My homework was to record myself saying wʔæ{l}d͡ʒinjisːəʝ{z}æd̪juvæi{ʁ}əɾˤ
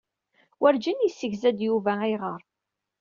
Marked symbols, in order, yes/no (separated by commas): no, yes, yes